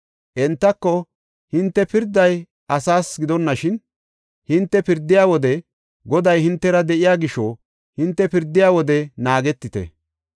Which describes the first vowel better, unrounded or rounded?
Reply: unrounded